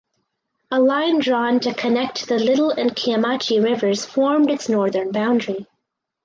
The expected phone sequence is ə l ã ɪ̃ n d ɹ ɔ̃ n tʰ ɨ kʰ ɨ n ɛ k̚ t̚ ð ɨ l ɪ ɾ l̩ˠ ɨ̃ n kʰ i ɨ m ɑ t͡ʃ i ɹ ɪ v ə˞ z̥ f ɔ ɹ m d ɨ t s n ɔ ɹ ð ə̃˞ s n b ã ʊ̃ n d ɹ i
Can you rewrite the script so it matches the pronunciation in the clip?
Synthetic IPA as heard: ə l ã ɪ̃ n d ɹ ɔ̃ n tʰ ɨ kʰ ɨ n ɛ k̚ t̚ ð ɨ l ɪ ɾ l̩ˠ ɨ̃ n kʰ i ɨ m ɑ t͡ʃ i ɹ ɪ v ə˞ z̥ f ɔ ɹ m d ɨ t s n ɔ ɹ ð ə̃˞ n b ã ʊ̃ n d ɹ i